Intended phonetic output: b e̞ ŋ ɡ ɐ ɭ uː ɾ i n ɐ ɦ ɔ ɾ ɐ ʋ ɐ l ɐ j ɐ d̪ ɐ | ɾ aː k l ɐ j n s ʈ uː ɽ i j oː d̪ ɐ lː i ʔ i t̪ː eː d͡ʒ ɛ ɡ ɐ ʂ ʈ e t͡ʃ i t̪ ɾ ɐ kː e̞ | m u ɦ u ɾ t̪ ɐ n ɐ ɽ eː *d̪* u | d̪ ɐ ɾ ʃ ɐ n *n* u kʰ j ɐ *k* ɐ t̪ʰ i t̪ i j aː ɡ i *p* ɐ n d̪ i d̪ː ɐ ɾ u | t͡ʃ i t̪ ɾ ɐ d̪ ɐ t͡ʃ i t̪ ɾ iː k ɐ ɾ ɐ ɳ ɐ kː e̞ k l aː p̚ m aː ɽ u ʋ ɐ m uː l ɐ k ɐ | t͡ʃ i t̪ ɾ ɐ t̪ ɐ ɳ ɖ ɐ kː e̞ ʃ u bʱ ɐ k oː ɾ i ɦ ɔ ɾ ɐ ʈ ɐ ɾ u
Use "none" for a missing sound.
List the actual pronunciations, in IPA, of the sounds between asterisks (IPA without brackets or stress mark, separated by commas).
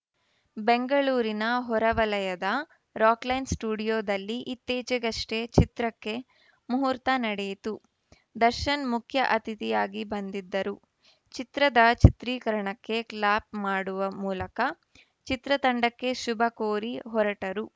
t̪, m, ʔ, b